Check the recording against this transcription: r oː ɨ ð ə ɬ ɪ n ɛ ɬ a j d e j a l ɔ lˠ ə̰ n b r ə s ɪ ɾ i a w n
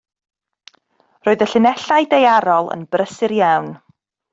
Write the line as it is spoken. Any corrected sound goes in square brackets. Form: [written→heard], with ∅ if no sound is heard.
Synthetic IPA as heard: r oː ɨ ð ə ɬ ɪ n ɛ ɬ a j d e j a [l→ɾ] ɔ lˠ ə̰ n b r ə s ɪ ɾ [i→j] a w n